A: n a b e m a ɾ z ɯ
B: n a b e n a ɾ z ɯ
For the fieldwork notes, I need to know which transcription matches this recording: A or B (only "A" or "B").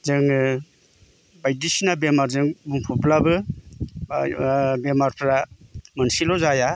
A